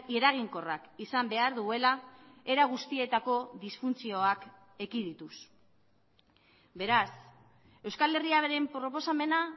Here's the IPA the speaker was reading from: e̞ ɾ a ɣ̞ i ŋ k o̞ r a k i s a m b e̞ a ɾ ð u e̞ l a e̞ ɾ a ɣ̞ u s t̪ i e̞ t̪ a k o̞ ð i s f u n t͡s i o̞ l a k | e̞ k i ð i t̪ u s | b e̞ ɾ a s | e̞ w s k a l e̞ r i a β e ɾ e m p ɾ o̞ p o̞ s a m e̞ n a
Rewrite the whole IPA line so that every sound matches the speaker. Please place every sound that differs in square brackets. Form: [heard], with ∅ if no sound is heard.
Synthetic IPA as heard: e̞ ɾ a ɣ̞ i ŋ k o̞ r a k i s a m b e̞ a ɾ ð u e̞ l a e̞ ɾ a ɣ̞ u s t̪ i e̞ t̪ a k o̞ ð i s f u n t͡s i o̞ [∅] a k | e̞ k i ð i t̪ u s | b e̞ ɾ a s | e̞ w s k a l e̞ r i a β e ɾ e m p ɾ o̞ p o̞ s a m e̞ n a